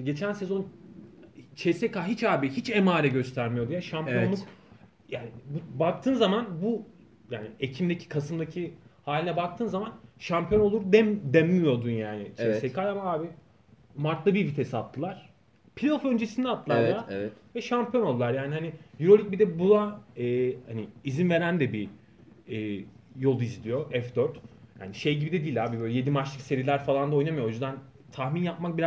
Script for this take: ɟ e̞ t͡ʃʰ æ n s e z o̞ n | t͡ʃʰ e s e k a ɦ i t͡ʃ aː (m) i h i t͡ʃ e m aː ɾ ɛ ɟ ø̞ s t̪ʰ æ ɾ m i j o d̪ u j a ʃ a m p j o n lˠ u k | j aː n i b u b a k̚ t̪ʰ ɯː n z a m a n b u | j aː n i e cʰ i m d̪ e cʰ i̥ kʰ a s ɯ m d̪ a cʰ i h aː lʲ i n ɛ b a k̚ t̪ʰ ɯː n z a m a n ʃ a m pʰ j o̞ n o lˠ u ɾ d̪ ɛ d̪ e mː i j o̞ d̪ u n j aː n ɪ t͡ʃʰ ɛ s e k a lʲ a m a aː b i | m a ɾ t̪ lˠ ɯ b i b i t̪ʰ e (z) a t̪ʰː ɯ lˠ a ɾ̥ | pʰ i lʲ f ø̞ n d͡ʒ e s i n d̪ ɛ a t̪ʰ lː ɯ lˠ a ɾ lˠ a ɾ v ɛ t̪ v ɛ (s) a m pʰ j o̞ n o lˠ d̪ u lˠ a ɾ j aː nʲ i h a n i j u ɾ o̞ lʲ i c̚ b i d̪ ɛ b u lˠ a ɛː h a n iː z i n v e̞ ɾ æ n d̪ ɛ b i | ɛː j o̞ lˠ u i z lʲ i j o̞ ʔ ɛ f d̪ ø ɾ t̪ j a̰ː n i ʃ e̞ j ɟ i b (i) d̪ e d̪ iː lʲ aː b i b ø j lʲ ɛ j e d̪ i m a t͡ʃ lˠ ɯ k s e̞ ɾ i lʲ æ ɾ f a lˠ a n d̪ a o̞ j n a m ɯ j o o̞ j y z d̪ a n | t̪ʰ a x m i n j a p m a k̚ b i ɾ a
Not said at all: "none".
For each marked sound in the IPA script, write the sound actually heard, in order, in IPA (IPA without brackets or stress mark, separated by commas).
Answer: b, s, ʃ, i